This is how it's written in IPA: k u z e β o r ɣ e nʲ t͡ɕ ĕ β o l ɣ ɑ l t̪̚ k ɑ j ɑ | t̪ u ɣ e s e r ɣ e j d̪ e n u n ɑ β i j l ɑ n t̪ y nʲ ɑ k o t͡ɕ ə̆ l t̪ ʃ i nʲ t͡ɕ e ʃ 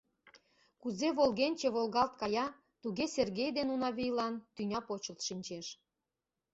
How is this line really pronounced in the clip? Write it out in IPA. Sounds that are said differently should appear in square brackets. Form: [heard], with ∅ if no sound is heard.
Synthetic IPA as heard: k u z e β o [l] ɣ e nʲ t͡ɕ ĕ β o l ɣ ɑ l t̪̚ k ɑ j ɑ | t̪ u ɣ e s e r ɣ e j d̪ e n u n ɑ β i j l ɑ n t̪ y nʲ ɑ [p] o t͡ɕ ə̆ l t̪ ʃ i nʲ t͡ɕ e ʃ